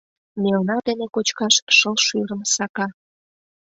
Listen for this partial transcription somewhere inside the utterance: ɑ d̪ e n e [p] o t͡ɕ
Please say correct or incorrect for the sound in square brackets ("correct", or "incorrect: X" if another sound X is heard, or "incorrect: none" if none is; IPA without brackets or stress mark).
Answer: incorrect: k